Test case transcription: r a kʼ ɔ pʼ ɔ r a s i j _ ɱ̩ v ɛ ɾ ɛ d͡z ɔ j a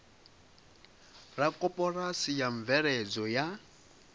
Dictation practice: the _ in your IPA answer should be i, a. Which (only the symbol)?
a